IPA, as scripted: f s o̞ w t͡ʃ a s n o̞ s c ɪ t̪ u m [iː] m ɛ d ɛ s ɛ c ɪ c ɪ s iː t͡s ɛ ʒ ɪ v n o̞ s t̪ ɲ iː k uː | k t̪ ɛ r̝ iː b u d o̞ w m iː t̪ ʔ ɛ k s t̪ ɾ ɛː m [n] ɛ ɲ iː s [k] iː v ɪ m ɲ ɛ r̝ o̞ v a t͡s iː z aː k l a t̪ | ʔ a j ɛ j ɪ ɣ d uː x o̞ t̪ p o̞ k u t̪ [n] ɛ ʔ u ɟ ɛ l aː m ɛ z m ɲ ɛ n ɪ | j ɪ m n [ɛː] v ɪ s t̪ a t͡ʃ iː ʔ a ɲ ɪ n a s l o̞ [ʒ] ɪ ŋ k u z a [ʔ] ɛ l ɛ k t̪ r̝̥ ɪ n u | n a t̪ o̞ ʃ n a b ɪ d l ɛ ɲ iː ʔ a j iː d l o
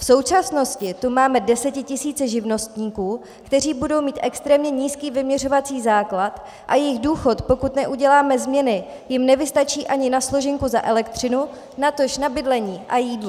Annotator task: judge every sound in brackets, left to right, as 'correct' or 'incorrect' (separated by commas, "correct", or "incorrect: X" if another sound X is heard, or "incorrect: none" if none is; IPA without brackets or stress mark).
incorrect: aː, incorrect: ɲ, correct, correct, incorrect: ɛ, correct, correct